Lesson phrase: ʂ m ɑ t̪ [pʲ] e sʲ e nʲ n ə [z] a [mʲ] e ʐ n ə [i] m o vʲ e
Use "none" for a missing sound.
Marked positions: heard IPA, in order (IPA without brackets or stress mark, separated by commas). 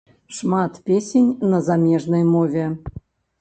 pʲ, z, mʲ, j